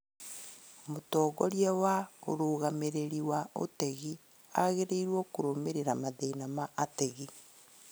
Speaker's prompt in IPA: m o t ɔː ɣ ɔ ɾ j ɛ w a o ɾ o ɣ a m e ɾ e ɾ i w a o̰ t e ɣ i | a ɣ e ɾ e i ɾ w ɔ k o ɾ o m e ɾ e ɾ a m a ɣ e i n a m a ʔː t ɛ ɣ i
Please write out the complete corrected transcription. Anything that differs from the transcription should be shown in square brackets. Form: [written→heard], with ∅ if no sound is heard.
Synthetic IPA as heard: m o t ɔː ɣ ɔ ɾ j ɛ w a o ɾ o ɣ a m e ɾ e ɾ i w a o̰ t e ɣ i | a ɣ e ɾ e i ɾ w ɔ k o ɾ o m e ɾ e ɾ a m a [ɣ→ð] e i n a m a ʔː t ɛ ɣ i